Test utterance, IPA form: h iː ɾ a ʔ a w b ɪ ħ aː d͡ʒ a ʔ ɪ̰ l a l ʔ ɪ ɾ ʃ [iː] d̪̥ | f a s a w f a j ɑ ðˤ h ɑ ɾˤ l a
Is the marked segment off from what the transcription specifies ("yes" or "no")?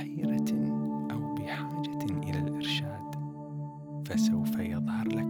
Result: yes